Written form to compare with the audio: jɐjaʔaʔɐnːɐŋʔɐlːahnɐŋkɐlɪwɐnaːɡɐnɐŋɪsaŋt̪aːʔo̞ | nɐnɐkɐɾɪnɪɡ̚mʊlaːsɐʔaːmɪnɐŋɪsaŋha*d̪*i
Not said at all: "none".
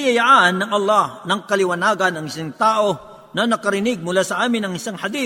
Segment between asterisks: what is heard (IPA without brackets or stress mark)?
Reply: d̪